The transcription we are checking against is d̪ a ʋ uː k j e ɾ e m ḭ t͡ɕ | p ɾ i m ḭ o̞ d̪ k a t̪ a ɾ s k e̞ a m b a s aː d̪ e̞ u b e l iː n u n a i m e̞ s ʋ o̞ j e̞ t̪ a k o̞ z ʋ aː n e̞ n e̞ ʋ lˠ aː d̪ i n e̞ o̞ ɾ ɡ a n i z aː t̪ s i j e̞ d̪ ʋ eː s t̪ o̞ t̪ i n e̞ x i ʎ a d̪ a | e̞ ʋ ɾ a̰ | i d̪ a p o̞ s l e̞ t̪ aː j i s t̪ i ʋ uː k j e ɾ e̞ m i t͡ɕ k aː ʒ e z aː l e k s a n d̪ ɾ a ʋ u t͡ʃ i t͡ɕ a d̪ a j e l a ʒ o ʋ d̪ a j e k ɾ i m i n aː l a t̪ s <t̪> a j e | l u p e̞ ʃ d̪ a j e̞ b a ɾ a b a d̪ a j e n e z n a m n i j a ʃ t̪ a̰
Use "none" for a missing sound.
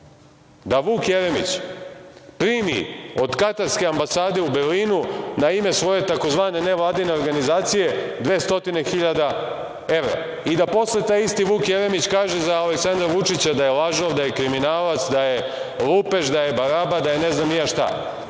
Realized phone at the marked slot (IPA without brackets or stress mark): d̪